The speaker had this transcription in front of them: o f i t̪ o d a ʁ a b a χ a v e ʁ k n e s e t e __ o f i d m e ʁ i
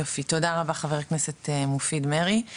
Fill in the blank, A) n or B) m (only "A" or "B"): B